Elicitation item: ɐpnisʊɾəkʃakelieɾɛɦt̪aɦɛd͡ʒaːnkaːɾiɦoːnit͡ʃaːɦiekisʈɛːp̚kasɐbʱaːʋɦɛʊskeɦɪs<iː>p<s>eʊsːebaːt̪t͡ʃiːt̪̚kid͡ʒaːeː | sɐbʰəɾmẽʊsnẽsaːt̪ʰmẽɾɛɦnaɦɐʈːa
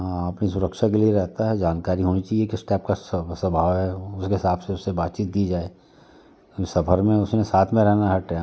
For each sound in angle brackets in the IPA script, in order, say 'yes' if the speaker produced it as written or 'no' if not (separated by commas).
no, yes